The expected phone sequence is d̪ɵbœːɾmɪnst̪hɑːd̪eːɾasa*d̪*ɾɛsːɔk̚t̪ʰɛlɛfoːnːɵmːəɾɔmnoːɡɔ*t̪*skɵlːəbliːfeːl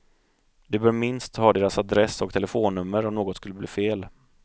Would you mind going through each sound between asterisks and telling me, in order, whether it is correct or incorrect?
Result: correct, correct

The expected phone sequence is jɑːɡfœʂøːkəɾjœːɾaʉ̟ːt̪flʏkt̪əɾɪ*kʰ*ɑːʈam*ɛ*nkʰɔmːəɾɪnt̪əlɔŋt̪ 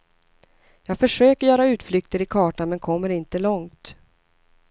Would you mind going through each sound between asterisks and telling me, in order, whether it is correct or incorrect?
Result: correct, correct

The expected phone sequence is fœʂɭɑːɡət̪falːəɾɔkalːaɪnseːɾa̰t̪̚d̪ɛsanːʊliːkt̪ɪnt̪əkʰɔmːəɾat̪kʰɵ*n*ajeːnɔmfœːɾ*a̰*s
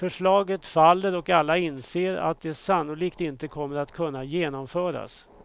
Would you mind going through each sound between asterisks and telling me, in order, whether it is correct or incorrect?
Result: incorrect, correct

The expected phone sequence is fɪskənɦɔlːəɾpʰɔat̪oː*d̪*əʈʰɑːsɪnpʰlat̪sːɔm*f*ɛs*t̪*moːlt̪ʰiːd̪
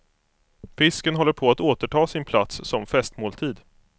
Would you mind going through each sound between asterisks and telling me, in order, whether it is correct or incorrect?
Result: incorrect, correct, correct

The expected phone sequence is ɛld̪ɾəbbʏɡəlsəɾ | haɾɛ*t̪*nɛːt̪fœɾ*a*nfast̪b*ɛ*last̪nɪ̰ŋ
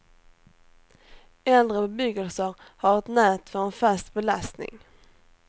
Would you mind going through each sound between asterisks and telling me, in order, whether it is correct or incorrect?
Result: correct, incorrect, correct

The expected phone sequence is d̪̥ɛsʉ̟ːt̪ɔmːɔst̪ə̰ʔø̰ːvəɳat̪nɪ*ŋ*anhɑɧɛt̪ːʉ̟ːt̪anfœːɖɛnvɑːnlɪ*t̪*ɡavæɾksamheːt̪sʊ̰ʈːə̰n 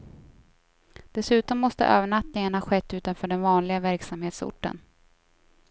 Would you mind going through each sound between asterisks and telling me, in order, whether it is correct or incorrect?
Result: correct, incorrect

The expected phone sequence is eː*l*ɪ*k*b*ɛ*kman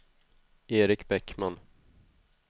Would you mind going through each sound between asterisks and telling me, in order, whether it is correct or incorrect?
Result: incorrect, correct, correct

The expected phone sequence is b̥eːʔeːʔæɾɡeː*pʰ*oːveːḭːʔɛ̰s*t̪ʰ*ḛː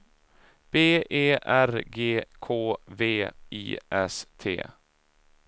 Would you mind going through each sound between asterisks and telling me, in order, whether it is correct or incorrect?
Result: incorrect, correct

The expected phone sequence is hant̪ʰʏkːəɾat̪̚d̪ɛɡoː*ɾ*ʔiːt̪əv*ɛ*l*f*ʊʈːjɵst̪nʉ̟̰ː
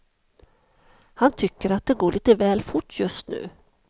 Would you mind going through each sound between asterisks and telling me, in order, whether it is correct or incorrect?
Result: incorrect, incorrect, correct

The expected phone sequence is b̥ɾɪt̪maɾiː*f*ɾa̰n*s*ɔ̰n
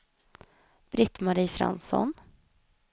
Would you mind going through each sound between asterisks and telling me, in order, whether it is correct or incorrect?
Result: correct, correct

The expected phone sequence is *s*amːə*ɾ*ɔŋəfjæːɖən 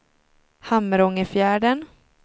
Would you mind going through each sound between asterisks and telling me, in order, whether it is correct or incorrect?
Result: incorrect, correct

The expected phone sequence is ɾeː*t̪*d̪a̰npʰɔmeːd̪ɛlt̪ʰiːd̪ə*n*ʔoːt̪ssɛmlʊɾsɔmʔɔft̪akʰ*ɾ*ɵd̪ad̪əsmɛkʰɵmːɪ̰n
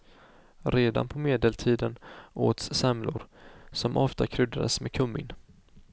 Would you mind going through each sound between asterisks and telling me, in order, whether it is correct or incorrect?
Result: incorrect, correct, correct

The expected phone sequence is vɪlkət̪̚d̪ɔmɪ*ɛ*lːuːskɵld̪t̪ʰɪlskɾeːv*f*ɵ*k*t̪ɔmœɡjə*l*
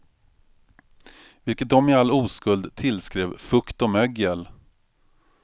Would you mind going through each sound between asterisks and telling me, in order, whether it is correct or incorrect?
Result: incorrect, correct, correct, correct

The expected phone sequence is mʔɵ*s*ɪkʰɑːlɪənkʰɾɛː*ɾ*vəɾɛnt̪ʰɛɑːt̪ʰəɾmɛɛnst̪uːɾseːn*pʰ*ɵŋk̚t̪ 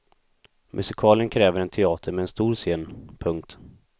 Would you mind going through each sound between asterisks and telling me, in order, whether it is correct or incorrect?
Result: correct, incorrect, correct

